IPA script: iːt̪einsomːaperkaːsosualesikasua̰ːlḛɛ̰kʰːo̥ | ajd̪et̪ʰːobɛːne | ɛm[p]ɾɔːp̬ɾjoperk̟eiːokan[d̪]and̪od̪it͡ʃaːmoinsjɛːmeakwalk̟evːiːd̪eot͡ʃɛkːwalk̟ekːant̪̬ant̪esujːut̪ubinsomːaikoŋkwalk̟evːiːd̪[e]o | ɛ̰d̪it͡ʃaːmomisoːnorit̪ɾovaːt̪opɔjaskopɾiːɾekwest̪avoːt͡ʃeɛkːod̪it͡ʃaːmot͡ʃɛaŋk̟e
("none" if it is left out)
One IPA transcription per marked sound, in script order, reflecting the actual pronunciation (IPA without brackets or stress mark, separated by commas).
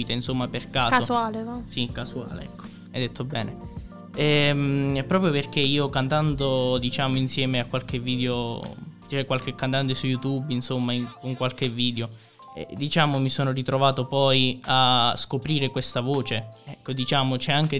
p, t̪, e